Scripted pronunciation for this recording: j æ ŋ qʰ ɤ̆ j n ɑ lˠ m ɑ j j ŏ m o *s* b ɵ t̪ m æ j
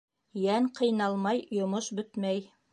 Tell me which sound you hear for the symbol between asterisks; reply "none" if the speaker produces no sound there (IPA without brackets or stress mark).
ʃ